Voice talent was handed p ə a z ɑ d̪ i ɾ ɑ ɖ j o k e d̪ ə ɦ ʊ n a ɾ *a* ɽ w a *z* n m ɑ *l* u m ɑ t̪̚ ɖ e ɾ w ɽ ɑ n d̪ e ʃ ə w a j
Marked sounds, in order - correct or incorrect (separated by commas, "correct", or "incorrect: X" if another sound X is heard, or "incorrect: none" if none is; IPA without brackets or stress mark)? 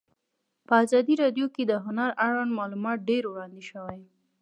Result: correct, incorrect: none, correct